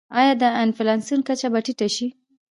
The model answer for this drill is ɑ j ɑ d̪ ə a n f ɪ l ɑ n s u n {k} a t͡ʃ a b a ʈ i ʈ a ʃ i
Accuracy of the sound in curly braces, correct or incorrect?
correct